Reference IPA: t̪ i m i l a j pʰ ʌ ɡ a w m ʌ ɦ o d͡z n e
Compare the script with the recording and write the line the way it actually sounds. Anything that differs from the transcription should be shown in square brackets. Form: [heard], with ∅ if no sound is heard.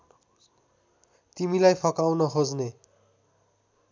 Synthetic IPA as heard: t̪ i m i l a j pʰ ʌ [k] a w [n] ʌ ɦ o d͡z n e